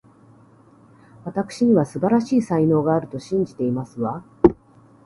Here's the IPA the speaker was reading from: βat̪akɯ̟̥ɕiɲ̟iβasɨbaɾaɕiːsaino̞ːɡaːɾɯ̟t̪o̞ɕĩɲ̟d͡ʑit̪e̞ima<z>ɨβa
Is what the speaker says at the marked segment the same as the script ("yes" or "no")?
no